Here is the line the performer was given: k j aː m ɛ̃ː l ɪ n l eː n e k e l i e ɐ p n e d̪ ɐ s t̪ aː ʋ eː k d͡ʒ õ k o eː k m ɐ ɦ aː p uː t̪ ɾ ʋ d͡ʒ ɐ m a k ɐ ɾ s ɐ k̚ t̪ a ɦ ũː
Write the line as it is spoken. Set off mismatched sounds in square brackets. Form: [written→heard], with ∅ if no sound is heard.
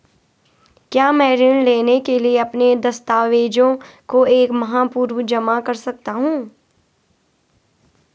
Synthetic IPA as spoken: k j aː m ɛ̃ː [l→ɾ] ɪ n l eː n e k e l i e ɐ p n e d̪ ɐ s t̪ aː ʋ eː [k→∅] d͡ʒ õ k o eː k m ɐ ɦ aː p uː [t̪→∅] ɾ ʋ d͡ʒ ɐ m a k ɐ ɾ s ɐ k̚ t̪ a ɦ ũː